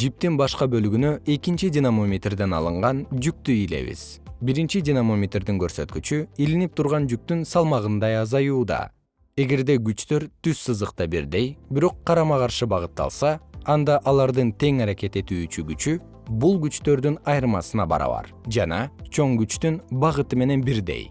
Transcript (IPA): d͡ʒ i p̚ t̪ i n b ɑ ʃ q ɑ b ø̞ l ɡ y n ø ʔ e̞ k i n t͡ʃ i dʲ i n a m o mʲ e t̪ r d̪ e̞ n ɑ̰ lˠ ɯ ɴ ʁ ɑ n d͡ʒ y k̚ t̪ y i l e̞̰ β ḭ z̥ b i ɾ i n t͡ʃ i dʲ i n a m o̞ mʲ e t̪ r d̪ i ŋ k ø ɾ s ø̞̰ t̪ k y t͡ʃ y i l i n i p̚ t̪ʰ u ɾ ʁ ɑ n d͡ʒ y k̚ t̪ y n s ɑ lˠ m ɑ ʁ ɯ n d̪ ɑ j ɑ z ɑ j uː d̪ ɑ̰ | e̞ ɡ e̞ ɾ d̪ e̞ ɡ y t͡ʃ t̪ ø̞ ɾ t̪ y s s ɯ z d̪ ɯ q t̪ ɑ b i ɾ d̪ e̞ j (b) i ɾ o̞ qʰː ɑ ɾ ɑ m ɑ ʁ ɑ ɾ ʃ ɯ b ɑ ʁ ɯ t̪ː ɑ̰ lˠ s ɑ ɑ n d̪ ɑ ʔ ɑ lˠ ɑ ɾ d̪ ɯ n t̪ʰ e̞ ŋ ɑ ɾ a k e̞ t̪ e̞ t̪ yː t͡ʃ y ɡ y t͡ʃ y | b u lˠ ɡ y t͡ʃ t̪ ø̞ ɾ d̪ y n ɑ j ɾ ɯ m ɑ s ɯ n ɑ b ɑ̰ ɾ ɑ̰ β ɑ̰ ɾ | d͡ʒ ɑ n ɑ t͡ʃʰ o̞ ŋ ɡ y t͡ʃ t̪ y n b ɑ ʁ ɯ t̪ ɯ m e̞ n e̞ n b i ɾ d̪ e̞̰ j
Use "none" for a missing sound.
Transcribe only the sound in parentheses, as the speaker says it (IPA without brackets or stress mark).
b